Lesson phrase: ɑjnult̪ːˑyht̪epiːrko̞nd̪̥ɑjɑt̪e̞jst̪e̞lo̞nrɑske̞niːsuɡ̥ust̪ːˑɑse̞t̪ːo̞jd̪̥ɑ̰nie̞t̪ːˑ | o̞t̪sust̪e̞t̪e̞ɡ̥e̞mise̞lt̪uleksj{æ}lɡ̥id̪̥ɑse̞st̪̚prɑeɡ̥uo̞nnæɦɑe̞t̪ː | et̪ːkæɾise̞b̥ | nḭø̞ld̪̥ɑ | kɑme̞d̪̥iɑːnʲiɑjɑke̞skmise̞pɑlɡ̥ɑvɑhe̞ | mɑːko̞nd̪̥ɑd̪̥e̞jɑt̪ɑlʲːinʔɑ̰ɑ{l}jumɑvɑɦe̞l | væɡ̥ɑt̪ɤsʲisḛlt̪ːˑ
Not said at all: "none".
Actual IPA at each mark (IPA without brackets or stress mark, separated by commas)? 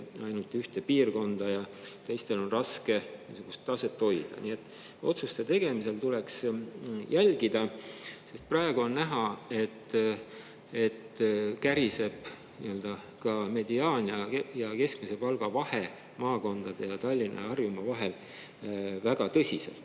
æ, r